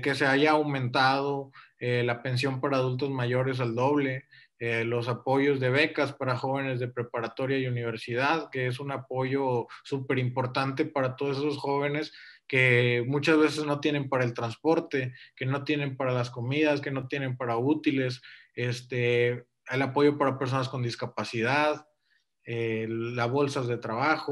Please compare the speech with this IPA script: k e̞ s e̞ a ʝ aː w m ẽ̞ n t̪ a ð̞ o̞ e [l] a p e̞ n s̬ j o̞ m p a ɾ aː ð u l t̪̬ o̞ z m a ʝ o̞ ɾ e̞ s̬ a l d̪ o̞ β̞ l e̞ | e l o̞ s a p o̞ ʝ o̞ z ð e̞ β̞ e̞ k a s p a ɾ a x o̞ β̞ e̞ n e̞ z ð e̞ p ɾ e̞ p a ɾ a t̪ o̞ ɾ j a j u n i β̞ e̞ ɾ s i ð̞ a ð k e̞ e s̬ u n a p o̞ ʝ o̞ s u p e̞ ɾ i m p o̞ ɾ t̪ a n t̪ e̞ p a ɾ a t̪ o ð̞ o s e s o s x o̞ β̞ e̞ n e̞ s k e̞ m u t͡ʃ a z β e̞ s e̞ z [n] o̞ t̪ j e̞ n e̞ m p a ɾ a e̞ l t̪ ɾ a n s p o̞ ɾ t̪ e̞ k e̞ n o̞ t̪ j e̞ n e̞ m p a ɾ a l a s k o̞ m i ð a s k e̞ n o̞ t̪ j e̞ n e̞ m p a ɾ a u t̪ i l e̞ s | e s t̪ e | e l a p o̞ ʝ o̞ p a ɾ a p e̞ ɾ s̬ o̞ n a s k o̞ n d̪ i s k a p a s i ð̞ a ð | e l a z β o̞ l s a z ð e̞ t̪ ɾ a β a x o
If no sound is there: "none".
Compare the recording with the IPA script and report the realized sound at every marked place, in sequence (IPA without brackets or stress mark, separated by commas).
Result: l, n